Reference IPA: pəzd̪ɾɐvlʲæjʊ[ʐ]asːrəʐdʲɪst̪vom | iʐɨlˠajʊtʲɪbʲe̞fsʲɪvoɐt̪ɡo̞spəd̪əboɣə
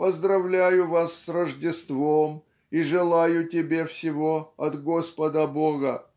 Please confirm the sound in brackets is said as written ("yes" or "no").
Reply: no